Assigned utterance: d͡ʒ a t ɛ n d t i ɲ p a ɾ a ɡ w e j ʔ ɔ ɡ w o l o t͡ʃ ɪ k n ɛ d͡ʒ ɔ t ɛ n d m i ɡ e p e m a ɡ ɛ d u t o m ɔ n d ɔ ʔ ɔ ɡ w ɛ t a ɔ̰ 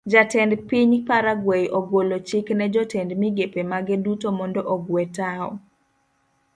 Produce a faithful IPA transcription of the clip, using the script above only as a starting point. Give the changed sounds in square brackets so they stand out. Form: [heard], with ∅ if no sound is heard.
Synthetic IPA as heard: d͡ʒ a t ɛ n d [p] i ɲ p a ɾ a ɡ w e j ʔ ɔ ɡ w o l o t͡ʃ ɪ k n ɛ d͡ʒ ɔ t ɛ n d m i ɡ e p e m a ɡ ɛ d u t o m ɔ n d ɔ ʔ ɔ ɡ w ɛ t a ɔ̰

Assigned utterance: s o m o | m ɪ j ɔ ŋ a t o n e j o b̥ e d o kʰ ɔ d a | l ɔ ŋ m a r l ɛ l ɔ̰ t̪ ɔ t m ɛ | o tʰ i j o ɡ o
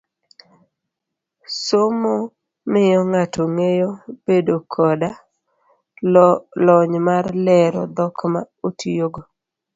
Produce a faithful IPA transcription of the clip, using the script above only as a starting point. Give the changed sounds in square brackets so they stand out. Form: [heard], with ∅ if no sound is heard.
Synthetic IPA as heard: s o m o | m ɪ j ɔ ŋ a t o [ŋ] e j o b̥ e d o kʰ ɔ d a | l ɔ [ɲ] m a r l ɛ [ɾ] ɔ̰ [d̪] ɔ [k] m [a] | o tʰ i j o ɡ o

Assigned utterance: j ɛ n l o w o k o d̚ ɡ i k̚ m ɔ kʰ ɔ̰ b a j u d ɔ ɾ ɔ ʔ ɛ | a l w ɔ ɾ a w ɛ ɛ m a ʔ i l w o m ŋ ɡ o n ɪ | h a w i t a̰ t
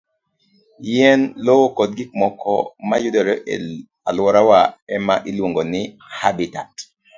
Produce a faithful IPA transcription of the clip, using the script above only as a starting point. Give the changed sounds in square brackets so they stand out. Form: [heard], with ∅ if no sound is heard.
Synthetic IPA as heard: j ɛ n l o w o k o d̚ ɡ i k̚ m ɔ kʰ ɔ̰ [m] a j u d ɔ ɾ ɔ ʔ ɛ | a l w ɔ ɾ a w [a] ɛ m a ʔ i l w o [∅] ŋ ɡ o n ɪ | h a [b] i t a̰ t

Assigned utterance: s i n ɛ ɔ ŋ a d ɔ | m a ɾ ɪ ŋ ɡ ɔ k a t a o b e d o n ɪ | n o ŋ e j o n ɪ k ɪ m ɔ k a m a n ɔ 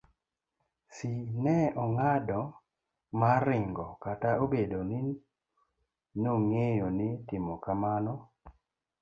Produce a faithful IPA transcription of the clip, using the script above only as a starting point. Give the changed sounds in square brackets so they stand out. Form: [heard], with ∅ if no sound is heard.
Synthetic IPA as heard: s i n ɛ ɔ ŋ a d ɔ | m a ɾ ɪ ŋ ɡ ɔ k a t a o b e d o n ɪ | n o ŋ e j o n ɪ [t] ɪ m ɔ k a m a n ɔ

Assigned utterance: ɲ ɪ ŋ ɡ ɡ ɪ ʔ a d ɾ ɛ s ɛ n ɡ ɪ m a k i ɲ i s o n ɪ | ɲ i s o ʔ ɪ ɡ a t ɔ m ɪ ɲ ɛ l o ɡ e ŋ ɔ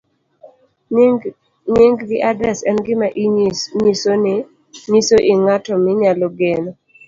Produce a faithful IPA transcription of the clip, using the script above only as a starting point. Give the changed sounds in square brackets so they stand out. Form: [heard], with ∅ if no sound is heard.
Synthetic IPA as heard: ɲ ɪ ŋ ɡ ɡ ɪ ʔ a d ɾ ɛ s ɛ n ɡ ɪ m a [ʔ] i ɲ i s o n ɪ | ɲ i s o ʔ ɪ [ŋ] a t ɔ m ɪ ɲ [a] l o ɡ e [n] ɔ

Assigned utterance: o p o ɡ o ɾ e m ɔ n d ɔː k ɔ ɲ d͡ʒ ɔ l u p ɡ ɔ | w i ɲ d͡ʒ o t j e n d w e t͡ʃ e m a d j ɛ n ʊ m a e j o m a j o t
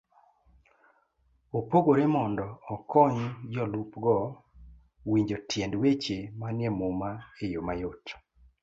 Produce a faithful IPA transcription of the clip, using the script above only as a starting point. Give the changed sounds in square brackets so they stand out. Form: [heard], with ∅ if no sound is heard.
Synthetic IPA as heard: o p o ɡ o ɾ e m ɔ n d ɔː k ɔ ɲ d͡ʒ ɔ l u p ɡ ɔ | w i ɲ d͡ʒ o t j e n d w e t͡ʃ e m a [n] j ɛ [m] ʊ m a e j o m a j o t

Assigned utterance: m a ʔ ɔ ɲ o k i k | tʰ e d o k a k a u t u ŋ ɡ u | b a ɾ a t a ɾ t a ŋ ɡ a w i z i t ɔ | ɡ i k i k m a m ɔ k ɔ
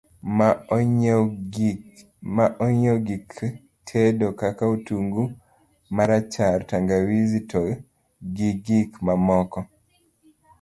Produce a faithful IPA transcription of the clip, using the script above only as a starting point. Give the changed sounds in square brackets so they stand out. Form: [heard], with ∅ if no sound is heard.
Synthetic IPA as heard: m a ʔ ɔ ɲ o [ɡ] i k | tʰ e d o k a k a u t u ŋ ɡ u | [m] a ɾ a [t͡ʃ] a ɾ t a ŋ ɡ a w i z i t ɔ | ɡ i [ɡ] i k m a m ɔ k ɔ

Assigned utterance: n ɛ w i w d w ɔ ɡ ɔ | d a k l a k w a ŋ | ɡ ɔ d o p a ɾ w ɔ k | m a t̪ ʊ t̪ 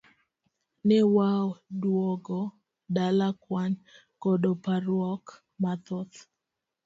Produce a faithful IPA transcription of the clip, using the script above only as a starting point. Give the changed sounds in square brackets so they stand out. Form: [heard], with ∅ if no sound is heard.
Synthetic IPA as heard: n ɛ w [a] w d w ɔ ɡ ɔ | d a [∅] l a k w a [n] | [k] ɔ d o p a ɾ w ɔ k | m a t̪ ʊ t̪

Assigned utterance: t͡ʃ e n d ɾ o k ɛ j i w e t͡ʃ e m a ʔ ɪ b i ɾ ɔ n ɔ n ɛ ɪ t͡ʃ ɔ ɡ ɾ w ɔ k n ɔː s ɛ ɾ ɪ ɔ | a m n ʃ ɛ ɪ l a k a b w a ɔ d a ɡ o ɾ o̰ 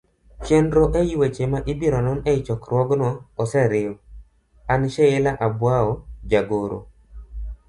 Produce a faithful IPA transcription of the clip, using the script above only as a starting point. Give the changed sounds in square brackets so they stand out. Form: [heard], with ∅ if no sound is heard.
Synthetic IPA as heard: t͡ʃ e n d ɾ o [ʔ] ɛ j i w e t͡ʃ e m a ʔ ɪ b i ɾ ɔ n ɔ n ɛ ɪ t͡ʃ ɔ [k] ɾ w ɔ [ɡ] n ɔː s ɛ ɾ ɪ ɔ | a [∅] n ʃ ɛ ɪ l a [ʔ] a b w a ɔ [d͡ʒ] a ɡ o ɾ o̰

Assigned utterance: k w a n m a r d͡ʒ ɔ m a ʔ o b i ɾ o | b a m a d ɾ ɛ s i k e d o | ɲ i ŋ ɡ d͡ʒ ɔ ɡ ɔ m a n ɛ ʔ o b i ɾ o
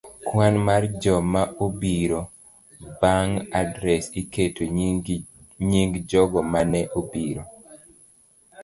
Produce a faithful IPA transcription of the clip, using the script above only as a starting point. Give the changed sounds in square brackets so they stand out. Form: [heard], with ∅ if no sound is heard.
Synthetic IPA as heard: k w a n m a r d͡ʒ ɔ m a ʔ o b i ɾ o | b a [ŋ] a d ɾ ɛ s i k e [t] o | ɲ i ŋ ɡ d͡ʒ ɔ ɡ ɔ m a n ɛ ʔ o b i ɾ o

